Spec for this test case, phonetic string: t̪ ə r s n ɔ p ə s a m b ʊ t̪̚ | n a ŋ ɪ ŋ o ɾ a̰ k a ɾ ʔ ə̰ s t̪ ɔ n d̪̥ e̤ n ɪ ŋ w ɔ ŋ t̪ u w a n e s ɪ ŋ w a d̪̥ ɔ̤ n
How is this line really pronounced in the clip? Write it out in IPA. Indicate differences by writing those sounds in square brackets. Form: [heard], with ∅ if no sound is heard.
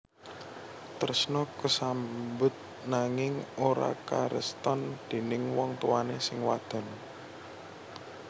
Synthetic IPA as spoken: t̪ ə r s n ɔ [k] ə s a m b ʊ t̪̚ | n a ŋ ɪ ŋ o ɾ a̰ k a ɾ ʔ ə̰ s t̪ ɔ n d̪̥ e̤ n ɪ ŋ w ɔ ŋ t̪ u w a n e s ɪ ŋ w a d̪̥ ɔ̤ n